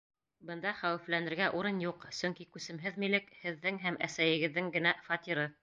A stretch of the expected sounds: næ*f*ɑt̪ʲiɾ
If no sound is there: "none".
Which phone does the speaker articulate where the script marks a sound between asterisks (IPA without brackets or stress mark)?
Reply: f